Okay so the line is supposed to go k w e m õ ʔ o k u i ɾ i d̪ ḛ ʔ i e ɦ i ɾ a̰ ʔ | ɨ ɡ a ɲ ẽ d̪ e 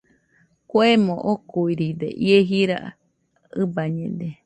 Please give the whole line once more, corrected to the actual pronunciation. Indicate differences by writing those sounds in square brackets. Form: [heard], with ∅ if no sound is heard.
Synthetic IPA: k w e m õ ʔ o k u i ɾ i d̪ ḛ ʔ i e ɦ i ɾ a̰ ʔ | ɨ [b] a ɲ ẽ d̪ e